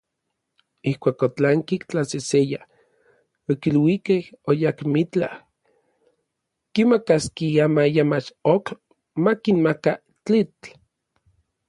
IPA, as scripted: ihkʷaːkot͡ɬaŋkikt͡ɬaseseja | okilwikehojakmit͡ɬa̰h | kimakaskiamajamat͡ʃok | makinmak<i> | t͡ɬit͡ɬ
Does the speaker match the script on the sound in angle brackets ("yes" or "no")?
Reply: no